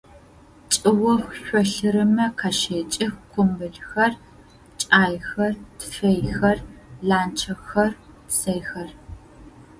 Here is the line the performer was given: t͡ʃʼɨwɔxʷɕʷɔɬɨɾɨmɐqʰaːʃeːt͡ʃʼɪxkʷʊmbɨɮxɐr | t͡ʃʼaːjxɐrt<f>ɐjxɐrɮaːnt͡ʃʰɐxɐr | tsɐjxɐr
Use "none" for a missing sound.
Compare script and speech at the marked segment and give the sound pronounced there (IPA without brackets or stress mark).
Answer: f